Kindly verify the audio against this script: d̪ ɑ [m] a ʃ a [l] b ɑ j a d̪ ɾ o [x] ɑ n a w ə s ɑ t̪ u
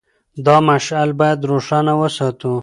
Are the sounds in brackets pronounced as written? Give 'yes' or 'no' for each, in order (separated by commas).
yes, yes, no